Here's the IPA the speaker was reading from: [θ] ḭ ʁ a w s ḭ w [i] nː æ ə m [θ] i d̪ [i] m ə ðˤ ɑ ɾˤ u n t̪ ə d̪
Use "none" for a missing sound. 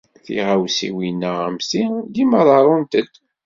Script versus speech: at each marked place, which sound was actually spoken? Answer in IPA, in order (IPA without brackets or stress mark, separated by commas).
θ, i, s, i